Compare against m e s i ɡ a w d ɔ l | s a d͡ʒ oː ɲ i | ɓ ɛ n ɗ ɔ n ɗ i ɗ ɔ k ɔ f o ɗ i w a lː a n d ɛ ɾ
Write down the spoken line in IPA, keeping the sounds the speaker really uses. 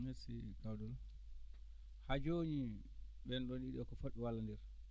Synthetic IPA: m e s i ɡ a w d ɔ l | h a d͡ʒ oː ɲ i | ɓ ɛ n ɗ ɔ n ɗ i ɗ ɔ k ɔ f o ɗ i w a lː a n d ɛ ɾ